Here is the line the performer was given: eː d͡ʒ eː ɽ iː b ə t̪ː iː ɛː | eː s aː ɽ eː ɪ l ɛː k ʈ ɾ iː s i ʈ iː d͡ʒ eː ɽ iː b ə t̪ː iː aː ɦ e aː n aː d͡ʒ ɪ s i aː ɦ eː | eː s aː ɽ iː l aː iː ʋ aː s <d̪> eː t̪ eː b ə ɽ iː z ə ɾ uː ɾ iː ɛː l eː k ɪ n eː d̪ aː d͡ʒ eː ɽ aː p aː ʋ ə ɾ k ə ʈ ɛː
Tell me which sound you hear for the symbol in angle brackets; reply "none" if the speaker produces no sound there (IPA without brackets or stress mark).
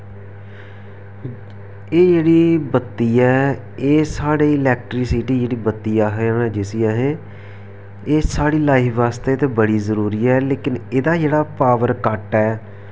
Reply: t̪